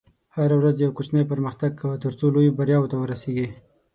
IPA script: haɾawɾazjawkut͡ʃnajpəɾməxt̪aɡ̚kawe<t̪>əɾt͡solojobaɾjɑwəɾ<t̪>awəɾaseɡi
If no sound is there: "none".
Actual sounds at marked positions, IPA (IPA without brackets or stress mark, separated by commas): t̪, t̪